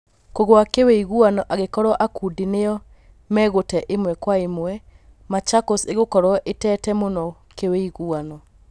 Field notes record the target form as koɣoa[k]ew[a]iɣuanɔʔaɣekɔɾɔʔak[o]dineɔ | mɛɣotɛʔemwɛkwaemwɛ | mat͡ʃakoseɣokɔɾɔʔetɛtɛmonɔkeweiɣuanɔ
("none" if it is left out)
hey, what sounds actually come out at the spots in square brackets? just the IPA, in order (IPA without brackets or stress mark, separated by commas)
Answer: k, e, u